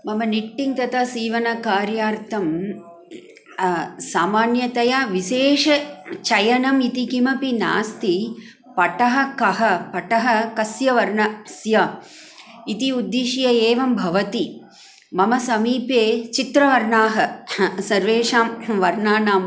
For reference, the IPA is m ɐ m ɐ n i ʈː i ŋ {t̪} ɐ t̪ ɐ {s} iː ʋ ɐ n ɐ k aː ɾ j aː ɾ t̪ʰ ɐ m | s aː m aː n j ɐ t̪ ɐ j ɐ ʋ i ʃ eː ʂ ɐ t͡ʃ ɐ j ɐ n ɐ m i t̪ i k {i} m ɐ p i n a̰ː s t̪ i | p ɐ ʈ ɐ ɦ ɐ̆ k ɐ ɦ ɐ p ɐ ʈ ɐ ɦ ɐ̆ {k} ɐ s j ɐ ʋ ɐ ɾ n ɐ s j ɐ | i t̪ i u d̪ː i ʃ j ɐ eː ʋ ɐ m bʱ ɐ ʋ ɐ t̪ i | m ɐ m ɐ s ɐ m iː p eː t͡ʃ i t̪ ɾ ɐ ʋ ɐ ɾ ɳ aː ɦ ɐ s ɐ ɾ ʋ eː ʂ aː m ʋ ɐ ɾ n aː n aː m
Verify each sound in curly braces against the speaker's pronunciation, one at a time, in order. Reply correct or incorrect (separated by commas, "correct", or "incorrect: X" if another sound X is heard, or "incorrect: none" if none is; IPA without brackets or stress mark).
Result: correct, correct, correct, correct